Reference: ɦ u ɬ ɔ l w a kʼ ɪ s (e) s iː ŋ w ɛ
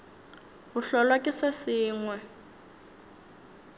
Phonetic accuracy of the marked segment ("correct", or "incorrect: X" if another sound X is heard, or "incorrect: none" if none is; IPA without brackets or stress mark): incorrect: a